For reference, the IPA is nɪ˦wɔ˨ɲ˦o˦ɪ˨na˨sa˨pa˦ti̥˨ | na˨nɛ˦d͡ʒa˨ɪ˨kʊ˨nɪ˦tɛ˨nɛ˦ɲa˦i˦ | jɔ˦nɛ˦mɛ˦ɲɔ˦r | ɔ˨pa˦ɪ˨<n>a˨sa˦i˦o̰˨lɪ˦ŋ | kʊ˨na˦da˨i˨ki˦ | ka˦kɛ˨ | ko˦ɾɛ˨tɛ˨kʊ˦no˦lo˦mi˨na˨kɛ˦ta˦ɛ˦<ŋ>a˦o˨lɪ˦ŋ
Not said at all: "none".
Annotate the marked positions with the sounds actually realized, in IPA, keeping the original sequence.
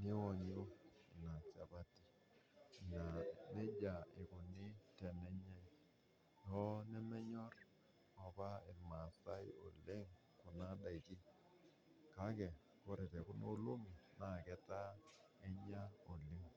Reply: m, ɲ

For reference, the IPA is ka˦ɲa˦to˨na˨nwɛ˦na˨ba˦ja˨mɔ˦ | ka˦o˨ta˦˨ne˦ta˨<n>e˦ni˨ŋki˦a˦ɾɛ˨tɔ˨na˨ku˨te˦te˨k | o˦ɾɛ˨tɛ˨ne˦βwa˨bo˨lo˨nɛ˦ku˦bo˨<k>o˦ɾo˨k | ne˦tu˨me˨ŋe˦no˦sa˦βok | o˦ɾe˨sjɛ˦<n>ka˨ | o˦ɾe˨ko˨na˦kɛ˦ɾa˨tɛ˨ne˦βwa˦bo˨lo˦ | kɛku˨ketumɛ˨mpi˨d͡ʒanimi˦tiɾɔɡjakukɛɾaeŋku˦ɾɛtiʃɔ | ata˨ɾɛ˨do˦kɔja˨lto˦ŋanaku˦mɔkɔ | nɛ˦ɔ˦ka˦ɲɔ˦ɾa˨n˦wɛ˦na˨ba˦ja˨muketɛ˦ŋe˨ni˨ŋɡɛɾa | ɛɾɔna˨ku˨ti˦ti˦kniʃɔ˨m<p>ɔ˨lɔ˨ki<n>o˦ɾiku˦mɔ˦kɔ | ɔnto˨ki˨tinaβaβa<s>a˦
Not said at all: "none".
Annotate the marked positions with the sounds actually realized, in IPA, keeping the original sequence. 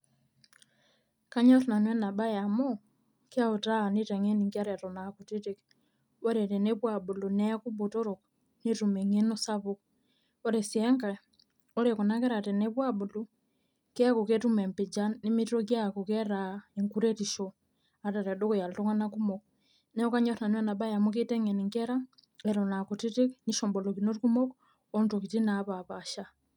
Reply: ŋ, t, ŋ, b, n, ʃ

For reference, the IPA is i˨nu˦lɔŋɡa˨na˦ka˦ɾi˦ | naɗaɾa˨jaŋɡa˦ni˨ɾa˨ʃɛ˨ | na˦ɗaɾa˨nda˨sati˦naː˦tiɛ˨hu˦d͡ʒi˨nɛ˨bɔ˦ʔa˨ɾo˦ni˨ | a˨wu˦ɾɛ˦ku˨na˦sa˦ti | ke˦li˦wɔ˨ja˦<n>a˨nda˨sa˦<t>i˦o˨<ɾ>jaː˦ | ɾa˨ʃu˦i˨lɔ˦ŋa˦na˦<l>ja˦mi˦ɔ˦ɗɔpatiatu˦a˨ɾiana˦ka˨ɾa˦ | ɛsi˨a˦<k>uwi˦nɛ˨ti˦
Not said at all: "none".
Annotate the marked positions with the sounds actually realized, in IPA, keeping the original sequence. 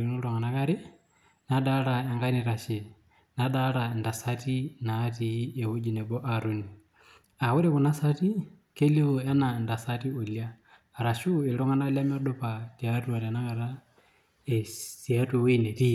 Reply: n, t, l, l, t

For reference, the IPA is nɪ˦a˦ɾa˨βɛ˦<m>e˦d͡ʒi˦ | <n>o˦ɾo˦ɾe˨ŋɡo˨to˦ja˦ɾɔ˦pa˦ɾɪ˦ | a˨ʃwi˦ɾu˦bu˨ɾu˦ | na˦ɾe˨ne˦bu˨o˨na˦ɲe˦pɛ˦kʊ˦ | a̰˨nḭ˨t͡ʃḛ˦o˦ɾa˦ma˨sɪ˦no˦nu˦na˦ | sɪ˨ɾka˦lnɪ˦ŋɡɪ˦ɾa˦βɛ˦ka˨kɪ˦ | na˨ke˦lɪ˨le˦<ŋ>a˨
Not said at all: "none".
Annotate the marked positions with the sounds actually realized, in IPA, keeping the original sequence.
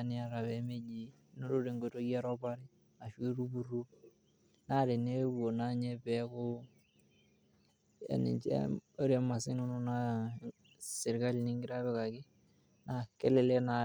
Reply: m, n, n

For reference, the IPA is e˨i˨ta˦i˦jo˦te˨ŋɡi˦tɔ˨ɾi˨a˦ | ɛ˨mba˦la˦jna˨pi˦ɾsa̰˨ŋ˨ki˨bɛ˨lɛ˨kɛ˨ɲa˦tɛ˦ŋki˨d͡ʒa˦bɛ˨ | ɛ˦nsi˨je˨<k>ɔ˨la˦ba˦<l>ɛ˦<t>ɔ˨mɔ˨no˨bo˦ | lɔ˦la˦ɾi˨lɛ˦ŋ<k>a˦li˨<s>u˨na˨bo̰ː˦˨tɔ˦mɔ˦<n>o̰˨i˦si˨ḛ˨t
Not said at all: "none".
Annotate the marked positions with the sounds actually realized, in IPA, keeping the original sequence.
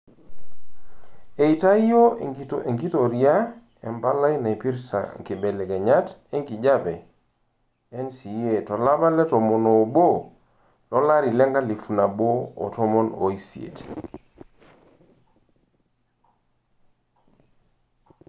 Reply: t, l, t, ɡ, f, n

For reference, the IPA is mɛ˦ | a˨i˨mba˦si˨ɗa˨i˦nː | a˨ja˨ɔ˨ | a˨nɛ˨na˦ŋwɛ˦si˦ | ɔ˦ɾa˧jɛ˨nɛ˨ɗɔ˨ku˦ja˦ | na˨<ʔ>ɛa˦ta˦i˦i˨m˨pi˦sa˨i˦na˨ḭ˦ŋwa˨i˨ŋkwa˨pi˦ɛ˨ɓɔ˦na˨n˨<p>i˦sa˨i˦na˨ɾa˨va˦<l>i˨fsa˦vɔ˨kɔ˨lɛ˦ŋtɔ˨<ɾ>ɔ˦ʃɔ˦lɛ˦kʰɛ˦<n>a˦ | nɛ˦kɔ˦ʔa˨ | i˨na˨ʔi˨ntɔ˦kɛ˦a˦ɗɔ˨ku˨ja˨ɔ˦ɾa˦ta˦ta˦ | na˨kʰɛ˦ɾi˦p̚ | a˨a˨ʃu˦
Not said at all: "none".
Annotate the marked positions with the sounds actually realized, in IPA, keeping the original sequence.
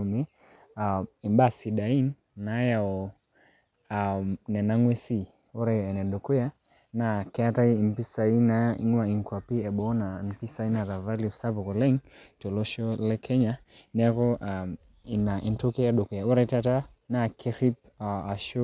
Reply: k, p, l, l, ɲ

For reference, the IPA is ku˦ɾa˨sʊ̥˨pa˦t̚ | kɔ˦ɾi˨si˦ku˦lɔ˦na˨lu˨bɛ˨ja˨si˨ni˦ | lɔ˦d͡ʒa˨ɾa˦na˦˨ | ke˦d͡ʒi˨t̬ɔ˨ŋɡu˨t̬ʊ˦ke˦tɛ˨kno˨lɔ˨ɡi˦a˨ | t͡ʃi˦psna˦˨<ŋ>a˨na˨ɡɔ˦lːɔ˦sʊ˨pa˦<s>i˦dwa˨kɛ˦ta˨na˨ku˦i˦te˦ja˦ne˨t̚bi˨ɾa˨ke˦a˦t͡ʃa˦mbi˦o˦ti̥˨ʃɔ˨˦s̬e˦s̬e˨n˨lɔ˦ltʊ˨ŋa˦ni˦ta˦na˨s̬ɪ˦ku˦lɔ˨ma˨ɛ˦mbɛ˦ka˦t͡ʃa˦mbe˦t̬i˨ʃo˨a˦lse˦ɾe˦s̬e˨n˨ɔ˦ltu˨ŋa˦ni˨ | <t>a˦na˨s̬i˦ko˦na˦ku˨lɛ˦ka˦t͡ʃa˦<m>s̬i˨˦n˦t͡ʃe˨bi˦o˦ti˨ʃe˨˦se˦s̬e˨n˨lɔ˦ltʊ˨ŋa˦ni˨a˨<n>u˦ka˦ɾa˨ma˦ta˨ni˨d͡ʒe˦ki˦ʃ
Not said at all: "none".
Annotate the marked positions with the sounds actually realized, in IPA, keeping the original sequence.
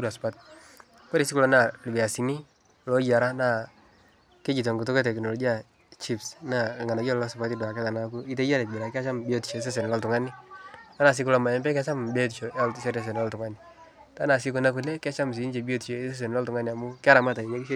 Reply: ŋ, t, t, m, m

